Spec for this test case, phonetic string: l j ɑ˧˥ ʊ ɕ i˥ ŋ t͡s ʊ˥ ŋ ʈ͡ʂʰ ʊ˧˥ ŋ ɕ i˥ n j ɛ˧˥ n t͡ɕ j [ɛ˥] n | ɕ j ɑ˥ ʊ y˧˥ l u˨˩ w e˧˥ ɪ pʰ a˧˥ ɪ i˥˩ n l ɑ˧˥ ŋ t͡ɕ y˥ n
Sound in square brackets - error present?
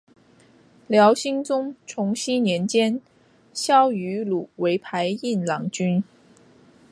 no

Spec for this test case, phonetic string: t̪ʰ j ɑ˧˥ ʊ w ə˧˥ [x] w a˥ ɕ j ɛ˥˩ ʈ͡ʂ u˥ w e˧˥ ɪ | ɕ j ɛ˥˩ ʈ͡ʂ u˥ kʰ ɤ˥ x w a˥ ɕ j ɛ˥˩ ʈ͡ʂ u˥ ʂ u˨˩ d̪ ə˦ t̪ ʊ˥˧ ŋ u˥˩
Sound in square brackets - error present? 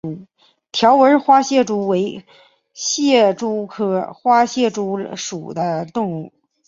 no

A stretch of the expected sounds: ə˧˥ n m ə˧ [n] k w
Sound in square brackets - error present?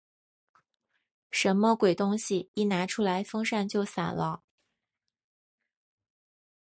yes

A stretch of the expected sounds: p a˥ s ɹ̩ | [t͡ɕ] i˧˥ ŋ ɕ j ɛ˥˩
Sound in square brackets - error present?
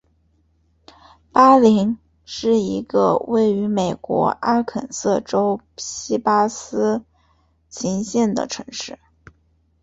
yes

